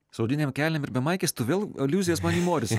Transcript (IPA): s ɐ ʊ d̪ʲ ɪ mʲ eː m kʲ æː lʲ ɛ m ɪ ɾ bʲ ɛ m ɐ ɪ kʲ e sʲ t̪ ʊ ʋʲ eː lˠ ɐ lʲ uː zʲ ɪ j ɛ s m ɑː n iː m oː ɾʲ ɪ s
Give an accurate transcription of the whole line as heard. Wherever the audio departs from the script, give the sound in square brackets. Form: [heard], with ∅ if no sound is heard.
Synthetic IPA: s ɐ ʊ d̪ʲ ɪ [nʲ] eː m kʲ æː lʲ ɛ m ɪ ɾ bʲ ɛ m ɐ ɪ kʲ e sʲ t̪ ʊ ʋʲ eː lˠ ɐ lʲ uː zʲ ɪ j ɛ s m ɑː n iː m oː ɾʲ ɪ s